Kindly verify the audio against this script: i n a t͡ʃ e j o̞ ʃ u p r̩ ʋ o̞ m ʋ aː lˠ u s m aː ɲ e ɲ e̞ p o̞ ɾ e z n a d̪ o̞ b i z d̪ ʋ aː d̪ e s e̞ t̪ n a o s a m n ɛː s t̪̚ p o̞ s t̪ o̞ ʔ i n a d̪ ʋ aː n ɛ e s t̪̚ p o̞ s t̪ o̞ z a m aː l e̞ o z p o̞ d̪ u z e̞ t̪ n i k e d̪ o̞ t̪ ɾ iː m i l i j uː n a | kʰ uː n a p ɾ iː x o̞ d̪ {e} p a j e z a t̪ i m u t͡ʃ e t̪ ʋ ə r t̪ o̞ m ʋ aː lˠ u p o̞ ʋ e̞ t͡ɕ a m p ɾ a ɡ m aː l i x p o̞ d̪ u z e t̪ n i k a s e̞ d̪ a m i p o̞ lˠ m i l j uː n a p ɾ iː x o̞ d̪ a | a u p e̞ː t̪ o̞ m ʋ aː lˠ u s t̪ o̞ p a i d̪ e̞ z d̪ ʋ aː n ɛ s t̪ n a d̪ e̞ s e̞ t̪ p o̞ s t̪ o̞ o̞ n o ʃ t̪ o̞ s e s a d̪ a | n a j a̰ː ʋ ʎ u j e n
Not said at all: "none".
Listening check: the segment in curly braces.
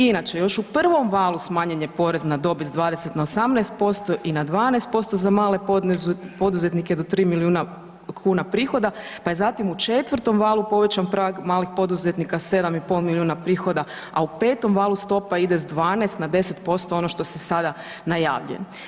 a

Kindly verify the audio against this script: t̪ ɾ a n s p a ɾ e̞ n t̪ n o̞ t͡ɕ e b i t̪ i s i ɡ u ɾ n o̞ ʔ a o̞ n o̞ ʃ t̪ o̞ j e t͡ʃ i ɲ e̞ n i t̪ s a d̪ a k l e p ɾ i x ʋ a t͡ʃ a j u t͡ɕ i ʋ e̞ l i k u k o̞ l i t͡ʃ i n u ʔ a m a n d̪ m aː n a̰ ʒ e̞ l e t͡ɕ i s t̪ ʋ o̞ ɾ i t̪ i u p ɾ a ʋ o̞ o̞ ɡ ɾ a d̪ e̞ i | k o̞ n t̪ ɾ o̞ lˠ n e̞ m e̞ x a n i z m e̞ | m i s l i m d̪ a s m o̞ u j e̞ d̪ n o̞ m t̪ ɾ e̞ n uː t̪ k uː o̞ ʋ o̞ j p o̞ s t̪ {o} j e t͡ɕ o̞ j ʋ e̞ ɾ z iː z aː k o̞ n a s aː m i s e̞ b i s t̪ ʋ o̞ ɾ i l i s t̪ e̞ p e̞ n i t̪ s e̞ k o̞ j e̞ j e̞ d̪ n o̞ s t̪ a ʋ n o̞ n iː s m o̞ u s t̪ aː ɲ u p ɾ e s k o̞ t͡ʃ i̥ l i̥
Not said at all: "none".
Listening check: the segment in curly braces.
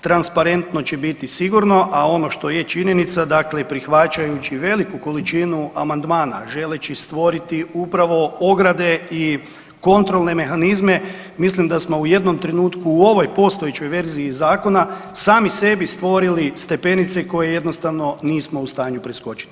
o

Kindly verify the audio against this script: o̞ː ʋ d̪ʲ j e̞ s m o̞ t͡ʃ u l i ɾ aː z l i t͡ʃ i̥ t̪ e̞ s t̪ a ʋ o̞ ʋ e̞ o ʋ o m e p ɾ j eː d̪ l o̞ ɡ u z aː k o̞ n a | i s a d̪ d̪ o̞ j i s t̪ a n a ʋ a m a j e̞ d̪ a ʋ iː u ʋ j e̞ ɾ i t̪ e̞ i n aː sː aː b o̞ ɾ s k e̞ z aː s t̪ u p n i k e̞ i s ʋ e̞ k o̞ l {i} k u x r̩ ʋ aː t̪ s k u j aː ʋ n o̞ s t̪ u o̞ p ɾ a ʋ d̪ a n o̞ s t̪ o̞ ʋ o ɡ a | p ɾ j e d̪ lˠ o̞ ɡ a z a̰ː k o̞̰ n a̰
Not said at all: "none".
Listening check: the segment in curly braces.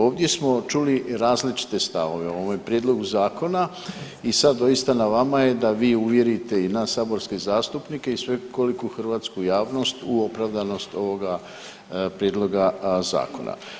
i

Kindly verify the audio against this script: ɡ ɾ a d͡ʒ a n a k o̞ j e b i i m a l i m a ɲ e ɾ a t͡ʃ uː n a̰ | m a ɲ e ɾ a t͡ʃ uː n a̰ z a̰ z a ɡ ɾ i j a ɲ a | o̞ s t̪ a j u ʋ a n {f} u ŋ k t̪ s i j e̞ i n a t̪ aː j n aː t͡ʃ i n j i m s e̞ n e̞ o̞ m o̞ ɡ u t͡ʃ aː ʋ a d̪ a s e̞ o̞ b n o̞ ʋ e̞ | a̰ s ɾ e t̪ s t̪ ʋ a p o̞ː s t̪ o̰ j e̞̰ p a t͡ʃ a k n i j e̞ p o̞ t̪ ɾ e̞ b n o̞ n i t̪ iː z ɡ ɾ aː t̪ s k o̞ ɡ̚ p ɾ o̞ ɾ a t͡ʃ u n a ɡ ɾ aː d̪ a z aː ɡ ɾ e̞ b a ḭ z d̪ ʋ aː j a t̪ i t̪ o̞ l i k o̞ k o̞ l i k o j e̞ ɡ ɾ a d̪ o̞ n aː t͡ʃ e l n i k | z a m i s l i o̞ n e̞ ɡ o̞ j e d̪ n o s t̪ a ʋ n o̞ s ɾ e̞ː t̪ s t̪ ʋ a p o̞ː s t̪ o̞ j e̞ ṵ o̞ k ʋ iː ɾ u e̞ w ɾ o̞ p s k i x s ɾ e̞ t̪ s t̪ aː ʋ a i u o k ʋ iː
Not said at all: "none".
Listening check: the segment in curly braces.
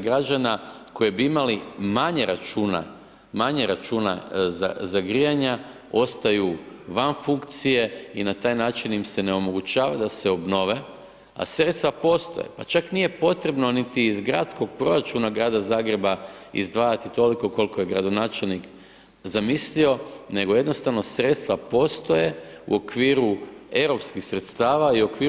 f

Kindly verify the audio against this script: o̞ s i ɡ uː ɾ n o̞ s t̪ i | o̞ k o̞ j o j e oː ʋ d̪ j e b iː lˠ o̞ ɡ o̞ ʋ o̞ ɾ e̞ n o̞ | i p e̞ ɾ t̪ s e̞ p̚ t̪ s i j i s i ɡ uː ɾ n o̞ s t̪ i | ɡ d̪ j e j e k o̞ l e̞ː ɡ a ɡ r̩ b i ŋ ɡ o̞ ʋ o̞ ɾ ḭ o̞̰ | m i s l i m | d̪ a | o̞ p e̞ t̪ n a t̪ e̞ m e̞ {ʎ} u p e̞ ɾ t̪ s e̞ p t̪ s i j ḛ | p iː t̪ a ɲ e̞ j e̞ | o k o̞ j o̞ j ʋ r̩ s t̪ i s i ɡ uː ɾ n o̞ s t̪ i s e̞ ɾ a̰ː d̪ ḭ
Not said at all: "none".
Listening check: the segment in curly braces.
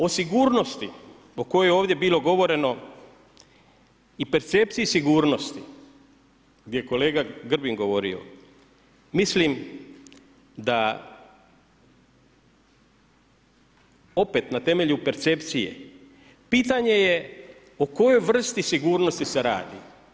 ʎ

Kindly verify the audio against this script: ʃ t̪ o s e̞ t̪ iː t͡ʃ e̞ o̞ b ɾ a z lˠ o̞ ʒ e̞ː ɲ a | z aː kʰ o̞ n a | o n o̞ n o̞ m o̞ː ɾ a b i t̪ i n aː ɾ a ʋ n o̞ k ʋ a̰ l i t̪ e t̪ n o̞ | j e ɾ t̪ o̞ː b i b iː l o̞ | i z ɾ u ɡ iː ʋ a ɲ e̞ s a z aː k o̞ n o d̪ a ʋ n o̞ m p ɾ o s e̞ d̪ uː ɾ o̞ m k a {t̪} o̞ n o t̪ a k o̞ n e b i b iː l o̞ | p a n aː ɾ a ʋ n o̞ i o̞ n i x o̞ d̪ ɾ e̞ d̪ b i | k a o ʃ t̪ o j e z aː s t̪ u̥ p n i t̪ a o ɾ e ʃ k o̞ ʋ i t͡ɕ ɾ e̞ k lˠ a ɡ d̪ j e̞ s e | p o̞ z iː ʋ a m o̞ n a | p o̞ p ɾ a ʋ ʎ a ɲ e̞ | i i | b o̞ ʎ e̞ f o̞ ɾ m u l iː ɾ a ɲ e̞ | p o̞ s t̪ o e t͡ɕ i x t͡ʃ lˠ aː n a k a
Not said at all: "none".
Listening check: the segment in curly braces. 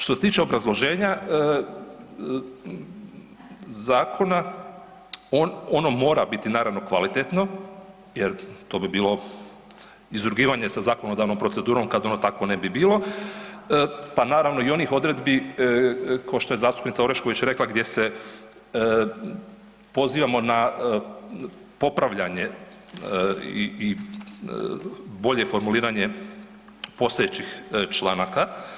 d̪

